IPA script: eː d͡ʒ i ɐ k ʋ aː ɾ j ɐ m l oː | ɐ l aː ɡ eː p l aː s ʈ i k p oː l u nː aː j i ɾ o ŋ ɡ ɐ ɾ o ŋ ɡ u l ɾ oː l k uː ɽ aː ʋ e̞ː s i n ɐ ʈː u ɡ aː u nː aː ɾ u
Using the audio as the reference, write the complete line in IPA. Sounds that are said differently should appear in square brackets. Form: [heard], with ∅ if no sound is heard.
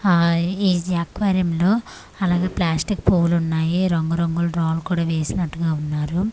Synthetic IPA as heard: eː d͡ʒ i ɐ k ʋ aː ɾ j ɐ m l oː | ɐ l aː ɡ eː p l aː s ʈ i k p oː l u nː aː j i ɾ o ŋ ɡ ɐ ɾ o ŋ ɡ u l ɾ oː l k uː ɽ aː ʋ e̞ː s i n ɐ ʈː u ɡ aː u nː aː ɾ u